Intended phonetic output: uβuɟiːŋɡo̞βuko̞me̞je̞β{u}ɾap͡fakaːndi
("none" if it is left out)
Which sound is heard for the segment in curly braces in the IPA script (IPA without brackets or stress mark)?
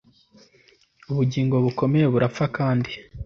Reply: u